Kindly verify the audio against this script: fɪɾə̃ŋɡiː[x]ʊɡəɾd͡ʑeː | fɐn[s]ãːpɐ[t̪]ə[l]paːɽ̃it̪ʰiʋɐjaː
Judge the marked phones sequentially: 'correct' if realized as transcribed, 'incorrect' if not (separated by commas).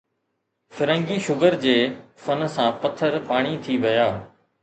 incorrect, correct, incorrect, incorrect